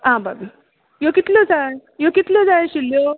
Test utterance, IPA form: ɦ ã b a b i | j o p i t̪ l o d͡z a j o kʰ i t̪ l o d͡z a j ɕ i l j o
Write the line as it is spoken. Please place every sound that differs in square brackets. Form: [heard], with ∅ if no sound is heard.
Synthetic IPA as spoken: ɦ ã b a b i | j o [k] i t̪ l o d͡z a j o [k] i t̪ l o d͡z a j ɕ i l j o